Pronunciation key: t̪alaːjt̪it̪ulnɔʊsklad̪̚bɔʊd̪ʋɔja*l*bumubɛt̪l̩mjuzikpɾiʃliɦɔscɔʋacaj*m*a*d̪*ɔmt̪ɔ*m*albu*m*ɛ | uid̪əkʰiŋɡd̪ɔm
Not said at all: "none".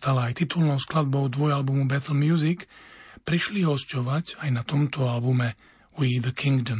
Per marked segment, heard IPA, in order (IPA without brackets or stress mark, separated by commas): l, n, t̪, none, m